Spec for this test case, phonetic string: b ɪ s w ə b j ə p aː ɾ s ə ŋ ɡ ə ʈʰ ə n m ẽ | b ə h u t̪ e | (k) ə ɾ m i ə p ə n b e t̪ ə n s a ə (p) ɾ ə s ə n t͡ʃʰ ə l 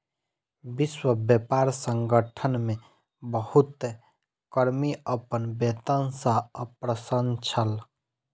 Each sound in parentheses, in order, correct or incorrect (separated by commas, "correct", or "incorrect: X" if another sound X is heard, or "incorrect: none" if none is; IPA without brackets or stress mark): correct, correct